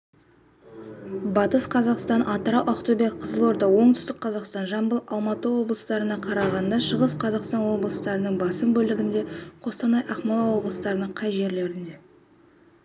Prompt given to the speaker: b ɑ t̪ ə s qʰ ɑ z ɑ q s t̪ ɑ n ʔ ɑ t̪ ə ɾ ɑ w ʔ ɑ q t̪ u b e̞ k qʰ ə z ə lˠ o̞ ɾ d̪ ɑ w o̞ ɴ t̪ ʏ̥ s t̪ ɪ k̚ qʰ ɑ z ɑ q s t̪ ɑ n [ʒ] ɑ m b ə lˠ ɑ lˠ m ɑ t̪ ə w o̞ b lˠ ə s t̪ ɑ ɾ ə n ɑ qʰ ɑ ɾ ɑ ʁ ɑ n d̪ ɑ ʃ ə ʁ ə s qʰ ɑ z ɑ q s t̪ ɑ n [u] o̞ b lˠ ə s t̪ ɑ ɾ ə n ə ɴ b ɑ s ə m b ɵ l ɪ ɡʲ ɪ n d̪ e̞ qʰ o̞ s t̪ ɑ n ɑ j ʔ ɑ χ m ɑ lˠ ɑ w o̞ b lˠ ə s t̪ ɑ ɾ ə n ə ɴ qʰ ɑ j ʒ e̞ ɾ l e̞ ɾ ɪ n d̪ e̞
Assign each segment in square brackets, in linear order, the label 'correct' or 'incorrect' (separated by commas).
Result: correct, incorrect